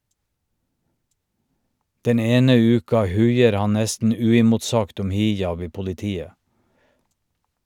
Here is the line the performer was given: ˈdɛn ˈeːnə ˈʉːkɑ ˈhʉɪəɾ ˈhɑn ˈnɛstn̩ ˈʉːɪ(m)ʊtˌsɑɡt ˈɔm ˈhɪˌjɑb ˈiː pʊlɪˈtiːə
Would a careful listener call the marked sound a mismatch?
no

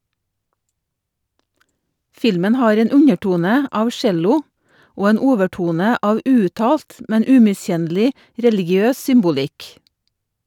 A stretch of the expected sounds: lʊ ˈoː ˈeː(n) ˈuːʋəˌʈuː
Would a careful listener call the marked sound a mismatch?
no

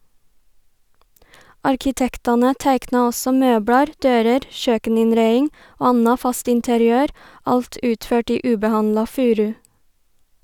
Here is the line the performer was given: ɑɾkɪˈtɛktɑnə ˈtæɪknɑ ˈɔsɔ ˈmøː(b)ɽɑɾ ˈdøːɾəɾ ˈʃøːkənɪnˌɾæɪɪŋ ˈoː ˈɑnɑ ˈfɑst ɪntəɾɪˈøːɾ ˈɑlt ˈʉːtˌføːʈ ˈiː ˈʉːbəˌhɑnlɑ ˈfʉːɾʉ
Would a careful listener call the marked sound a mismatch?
no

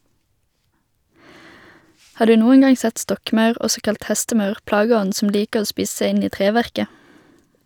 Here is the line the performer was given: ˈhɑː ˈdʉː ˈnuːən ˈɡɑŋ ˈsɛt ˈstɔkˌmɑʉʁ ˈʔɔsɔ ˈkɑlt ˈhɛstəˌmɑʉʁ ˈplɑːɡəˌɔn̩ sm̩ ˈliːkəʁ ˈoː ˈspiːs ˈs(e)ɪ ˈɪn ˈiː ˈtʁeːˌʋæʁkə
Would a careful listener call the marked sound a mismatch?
yes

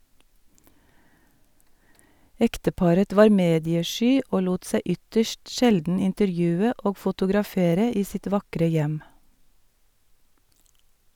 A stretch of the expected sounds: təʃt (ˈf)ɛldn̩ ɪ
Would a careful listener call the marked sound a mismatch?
yes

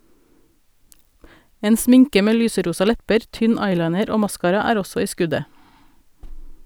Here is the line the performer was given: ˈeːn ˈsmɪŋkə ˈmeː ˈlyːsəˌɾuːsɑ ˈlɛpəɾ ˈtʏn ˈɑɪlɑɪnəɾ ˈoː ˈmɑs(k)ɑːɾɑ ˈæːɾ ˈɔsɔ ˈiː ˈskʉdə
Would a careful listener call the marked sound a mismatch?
no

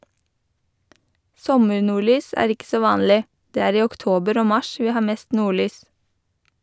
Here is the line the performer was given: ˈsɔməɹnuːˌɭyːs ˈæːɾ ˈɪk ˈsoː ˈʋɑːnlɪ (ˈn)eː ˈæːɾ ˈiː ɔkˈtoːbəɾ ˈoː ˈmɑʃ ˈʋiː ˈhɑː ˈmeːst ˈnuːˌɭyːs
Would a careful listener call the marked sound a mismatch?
yes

